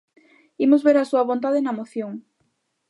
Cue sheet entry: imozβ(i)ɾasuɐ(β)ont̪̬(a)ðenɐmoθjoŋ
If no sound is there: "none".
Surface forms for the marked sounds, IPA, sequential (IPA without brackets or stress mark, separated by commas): e, β, a